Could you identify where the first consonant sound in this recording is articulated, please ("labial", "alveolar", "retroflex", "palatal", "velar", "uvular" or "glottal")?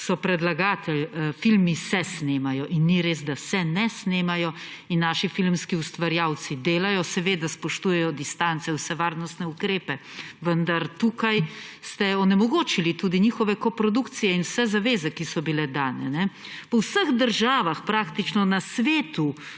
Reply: alveolar